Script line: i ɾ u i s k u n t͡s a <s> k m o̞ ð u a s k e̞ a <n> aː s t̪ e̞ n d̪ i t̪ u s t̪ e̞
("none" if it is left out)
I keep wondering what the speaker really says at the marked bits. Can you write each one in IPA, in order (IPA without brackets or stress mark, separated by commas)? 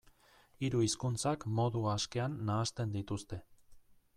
none, nː